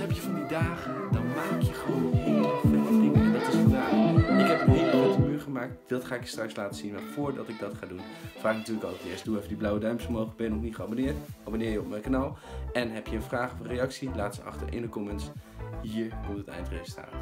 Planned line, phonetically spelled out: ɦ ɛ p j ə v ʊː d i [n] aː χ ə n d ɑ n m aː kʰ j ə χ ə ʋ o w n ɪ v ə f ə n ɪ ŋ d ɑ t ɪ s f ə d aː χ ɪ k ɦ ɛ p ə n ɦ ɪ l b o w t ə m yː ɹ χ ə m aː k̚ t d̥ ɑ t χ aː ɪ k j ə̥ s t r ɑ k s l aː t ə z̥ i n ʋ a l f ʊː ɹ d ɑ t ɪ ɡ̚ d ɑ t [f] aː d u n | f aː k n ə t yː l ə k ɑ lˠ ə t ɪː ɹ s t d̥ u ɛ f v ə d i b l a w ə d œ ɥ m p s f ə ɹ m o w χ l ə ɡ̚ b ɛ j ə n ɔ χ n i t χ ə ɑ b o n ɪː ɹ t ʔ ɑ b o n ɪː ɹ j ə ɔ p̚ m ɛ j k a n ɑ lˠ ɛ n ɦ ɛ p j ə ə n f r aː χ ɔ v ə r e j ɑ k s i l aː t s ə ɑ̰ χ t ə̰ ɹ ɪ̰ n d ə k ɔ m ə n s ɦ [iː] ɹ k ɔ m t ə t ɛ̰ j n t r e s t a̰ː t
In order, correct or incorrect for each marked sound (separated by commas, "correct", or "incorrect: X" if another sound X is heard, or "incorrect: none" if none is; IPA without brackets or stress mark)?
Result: incorrect: d, incorrect: χ, correct